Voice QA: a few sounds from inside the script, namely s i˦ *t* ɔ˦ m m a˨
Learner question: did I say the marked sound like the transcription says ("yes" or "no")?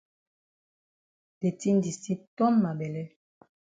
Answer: yes